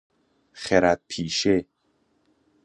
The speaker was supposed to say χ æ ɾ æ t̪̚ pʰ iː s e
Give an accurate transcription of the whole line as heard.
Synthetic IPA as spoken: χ e ɾ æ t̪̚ pʰ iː ʃ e

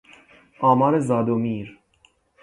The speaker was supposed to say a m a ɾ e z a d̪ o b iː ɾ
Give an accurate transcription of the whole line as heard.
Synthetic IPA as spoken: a m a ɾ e z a d̪ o m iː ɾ

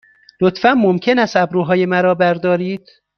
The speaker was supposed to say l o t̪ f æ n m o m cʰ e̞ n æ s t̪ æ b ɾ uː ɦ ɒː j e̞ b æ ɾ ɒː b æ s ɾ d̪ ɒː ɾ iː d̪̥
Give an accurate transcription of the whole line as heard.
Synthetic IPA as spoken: l o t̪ f æ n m o m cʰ e̞ n æ s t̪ æ b ɾ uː ɦ ɒː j e̞ m æ ɾ ɒː b æ ɾ d̪ ɒː ɾ iː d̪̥

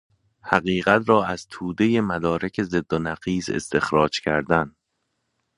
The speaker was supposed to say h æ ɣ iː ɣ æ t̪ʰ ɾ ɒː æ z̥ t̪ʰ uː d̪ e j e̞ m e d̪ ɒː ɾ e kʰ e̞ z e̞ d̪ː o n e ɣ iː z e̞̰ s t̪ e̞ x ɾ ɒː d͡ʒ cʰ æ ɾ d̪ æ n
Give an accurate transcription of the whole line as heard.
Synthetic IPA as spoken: h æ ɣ iː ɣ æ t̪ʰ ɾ ɒː æ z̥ t̪ʰ uː d̪ e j e̞ m æ d̪ ɒː ɾ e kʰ e̞ z e̞ d̪ː o n æ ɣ iː z e̞̰ s t̪ e̞ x ɾ ɒː d͡ʒ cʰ æ ɾ d̪ æ n

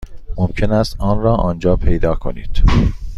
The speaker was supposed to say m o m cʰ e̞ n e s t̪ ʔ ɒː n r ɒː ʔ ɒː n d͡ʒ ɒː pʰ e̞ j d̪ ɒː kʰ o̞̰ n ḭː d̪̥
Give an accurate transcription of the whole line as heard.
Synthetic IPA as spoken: m o m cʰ e̞ n æ s t̪ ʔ ɒː n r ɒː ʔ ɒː n d͡ʒ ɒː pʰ e̞ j d̪ ɒː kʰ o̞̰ n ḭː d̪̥

